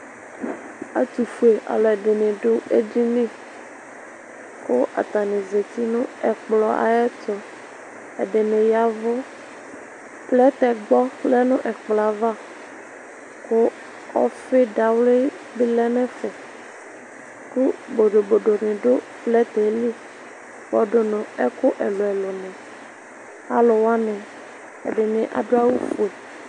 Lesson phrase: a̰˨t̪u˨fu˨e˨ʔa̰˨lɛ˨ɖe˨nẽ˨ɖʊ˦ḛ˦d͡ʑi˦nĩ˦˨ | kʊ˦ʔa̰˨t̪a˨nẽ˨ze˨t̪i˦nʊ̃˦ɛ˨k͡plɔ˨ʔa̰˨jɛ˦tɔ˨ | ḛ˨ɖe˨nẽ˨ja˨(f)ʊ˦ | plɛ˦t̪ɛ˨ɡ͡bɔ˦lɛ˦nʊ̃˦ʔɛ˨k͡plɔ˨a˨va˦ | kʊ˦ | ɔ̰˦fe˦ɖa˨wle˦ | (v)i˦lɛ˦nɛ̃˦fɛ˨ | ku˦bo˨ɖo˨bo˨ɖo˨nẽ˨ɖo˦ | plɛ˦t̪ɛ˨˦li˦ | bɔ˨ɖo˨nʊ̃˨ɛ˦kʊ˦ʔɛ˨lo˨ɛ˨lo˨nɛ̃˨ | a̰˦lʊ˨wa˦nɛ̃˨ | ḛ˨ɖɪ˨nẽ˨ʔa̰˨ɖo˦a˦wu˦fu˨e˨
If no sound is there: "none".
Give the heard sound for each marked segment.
v, b

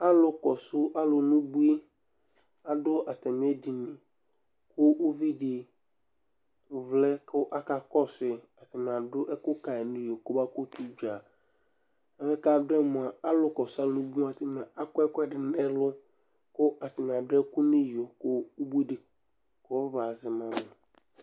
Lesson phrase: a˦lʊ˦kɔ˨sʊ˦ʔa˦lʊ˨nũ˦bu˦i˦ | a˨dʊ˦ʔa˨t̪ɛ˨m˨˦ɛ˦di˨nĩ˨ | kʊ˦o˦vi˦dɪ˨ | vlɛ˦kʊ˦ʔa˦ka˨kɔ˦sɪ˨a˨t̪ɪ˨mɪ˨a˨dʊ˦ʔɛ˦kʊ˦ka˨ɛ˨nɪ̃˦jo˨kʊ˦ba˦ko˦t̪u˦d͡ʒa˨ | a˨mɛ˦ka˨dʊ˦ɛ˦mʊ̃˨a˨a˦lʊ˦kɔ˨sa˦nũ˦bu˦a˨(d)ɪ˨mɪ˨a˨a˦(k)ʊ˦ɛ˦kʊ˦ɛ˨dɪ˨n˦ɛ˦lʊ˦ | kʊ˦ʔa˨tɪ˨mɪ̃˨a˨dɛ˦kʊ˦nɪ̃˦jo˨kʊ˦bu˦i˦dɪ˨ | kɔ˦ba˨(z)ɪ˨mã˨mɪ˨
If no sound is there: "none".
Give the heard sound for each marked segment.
t, k, z

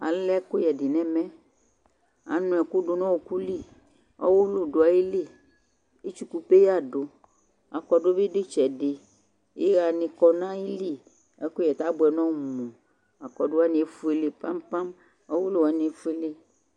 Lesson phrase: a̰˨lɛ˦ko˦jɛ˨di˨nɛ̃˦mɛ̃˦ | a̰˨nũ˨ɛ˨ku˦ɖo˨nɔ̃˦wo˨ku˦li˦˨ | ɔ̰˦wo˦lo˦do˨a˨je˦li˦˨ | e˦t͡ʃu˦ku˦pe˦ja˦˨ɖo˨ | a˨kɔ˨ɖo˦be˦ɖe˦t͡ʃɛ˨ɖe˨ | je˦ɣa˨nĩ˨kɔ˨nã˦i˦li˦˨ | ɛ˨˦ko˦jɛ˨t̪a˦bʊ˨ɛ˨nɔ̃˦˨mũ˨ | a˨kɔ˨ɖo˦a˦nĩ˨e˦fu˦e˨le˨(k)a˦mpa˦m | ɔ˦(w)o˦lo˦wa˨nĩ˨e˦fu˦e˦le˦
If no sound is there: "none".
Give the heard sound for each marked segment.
p, w

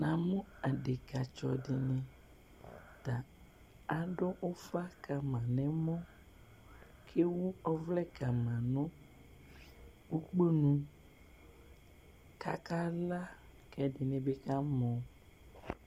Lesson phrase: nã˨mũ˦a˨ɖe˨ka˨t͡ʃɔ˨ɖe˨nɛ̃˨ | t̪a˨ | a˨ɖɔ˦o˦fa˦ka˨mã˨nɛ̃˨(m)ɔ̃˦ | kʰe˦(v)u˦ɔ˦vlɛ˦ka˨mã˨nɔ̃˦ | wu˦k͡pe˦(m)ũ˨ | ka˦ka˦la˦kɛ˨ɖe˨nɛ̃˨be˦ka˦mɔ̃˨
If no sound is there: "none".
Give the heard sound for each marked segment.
m, w, n

